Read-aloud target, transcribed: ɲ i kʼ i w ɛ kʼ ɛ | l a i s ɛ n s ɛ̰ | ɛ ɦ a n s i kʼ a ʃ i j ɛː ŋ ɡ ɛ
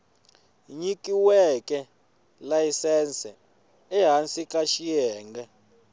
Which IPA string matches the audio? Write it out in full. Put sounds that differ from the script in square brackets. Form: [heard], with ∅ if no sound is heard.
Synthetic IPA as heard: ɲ i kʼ i w ɛ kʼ ɛ | l a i s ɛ n s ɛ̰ | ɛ ɦ a n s i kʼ a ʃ i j ɛː ŋ ɡ ɛ